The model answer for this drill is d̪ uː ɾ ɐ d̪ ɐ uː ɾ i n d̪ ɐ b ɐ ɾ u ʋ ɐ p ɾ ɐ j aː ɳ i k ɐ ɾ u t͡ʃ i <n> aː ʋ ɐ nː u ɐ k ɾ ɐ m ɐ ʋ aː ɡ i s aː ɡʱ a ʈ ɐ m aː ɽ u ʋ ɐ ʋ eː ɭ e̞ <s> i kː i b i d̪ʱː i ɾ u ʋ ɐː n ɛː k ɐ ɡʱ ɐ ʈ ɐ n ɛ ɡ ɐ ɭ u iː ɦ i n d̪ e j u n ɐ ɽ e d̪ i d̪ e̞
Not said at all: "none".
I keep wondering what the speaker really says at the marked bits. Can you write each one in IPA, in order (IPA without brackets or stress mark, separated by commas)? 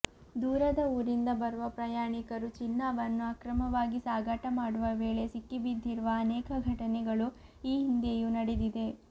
nː, s